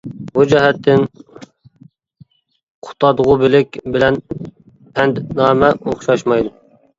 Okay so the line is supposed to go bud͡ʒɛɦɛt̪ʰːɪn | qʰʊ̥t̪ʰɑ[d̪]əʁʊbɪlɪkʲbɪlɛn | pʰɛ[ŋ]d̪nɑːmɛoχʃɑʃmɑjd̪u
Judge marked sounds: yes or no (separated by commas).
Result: yes, no